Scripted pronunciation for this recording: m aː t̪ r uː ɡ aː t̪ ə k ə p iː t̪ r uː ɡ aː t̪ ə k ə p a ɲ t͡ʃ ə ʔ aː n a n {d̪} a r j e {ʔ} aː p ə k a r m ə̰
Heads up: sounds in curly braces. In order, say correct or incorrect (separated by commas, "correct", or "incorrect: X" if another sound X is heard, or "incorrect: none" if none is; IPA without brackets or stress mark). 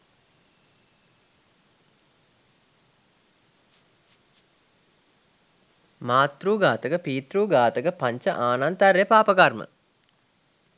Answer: incorrect: t̪, incorrect: p